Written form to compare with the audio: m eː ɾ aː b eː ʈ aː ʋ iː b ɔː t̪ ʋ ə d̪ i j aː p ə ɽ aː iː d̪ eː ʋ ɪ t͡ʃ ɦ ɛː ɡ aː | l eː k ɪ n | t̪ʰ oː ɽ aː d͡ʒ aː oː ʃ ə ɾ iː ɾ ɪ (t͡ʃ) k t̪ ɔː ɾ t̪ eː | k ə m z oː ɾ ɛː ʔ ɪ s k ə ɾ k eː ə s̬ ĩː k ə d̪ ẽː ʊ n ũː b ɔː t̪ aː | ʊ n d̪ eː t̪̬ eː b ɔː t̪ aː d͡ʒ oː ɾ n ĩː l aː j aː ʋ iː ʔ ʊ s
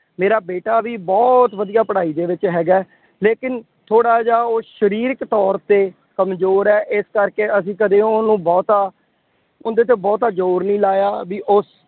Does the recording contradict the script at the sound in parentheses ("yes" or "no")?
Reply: yes